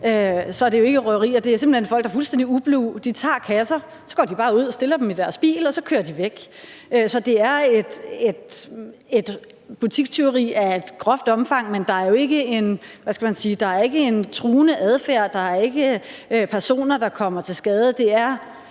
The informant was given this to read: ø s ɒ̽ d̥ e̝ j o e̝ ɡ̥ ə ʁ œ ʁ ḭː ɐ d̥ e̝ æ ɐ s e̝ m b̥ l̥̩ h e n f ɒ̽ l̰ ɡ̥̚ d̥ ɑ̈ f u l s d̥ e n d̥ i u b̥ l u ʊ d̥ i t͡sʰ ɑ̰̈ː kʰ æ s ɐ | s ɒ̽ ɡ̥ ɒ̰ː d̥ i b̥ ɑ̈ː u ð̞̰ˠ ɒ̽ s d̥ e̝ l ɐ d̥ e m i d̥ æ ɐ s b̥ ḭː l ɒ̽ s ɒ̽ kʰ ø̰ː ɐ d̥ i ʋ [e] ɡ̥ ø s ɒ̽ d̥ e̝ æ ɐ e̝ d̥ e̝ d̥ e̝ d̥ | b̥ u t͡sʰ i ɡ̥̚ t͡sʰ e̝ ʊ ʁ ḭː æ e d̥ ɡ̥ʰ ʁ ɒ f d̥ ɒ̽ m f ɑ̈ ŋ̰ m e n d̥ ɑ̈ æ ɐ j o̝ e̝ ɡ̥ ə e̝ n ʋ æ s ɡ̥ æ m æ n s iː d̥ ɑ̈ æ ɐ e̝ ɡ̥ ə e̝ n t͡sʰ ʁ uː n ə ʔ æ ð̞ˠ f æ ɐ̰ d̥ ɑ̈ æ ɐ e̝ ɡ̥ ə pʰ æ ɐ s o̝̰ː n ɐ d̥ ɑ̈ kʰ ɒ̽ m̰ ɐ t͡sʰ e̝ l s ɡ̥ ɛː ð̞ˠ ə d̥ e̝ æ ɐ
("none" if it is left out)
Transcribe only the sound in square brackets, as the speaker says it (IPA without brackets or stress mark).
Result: e